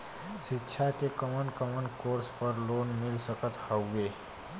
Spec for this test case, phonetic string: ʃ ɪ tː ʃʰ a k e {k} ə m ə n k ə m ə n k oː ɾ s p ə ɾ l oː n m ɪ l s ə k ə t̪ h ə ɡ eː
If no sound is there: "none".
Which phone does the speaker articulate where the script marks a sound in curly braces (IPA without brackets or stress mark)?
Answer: k